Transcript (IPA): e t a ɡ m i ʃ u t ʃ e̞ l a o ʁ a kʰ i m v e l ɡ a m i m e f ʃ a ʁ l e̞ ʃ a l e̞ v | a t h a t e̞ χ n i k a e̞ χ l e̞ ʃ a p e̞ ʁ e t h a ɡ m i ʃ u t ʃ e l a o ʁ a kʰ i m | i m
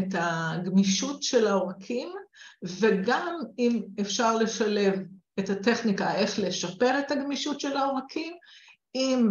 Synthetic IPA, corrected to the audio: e t a ɡ m i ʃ u t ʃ e̞ l a o ʁ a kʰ i m v e ɡ a m i m e f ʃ a ʁ l e̞ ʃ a l e̞ v | e t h a t e̞ χ n i k a e̞ χ l e̞ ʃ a p e̞ ʁ e t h a ɡ m i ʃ u t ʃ e l a o ʁ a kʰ i m | i m